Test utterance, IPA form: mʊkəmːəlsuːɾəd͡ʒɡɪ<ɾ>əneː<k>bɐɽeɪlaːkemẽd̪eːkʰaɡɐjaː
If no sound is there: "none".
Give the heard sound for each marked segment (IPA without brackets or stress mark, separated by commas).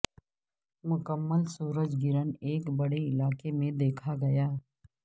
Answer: ɾ, k